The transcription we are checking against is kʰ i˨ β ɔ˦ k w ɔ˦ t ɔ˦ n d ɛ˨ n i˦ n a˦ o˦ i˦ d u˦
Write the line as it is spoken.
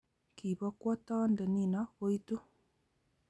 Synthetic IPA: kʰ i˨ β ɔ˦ k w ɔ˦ t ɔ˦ n d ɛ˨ n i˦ n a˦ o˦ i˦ t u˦